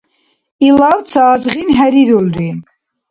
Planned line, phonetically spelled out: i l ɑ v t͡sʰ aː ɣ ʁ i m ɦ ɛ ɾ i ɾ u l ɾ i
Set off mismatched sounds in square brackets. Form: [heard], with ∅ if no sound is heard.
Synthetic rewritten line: i l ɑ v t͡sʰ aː [z] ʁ i [n] ɦ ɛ ɾ i ɾ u l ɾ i